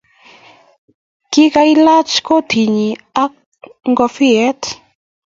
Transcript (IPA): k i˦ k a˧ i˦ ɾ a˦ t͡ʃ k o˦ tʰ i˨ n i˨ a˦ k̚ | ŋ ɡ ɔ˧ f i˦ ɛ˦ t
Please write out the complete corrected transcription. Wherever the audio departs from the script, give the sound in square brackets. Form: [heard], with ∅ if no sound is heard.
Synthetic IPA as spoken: k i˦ k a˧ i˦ [l] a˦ t͡ʃ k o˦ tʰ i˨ [ɲ] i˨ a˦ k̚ | ŋ ɡ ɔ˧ f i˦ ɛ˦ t